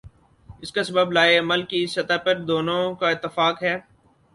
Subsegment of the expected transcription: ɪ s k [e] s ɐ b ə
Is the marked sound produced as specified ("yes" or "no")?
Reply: no